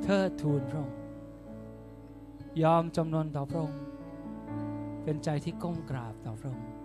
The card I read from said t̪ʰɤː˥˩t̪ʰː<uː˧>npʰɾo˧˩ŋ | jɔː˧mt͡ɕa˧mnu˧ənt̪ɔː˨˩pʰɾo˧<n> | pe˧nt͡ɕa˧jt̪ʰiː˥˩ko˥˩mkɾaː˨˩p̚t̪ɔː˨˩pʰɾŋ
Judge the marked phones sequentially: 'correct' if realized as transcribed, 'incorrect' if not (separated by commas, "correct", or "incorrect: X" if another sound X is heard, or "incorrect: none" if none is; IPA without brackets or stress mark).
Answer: correct, incorrect: ŋ